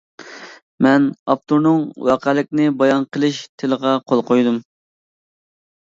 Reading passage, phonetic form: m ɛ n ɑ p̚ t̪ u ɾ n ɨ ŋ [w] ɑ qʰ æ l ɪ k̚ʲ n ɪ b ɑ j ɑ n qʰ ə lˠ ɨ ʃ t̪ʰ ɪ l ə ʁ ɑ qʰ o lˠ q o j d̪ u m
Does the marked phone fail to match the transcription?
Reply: no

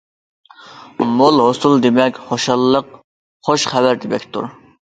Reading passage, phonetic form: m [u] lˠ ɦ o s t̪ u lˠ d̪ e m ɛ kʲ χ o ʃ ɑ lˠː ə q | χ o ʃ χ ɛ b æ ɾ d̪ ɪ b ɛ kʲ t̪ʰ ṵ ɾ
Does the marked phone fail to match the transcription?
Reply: yes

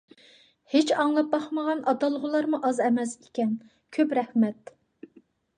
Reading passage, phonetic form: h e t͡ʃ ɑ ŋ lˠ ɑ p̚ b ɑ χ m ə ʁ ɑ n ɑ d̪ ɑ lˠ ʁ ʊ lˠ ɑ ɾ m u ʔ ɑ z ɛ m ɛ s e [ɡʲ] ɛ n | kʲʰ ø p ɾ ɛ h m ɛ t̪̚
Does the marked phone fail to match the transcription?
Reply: yes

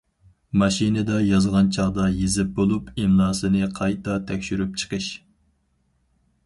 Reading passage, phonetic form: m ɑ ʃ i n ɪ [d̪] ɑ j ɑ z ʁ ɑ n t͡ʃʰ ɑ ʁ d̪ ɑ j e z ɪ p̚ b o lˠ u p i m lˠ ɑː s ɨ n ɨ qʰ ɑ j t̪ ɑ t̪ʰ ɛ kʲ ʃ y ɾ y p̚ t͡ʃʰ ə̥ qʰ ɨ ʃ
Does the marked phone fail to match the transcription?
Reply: no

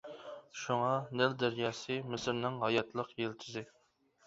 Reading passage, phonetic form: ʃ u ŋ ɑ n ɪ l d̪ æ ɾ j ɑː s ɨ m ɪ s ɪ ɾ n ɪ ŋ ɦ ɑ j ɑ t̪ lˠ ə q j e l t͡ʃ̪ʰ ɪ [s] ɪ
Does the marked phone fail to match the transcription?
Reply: yes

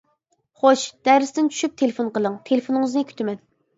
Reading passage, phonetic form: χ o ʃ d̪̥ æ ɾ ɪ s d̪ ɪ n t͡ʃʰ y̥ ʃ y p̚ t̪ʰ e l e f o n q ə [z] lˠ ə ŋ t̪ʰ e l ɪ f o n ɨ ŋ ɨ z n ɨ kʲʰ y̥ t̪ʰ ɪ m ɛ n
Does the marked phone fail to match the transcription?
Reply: yes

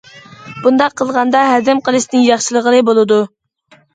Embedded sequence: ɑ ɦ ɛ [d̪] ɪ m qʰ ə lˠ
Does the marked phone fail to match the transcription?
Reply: no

